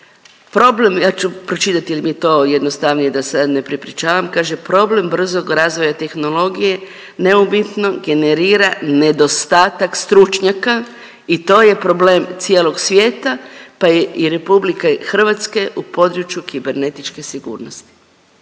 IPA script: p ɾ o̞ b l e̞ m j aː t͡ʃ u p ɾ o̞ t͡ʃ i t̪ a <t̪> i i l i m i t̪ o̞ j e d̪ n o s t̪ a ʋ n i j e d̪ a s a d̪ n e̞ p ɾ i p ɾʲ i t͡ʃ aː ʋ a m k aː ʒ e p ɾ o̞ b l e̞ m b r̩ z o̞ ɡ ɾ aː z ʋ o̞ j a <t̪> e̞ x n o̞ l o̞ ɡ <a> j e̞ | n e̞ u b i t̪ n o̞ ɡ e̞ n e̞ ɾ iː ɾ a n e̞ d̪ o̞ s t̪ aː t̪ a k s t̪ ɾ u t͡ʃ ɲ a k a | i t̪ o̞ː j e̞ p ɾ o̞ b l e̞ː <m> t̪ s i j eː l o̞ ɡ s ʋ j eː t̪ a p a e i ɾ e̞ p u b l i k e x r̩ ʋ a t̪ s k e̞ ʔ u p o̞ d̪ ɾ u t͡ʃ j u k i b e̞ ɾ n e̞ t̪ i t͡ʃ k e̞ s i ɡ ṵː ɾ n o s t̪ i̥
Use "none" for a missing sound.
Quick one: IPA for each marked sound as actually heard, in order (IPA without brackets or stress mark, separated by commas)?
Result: t̪, t̪, i, m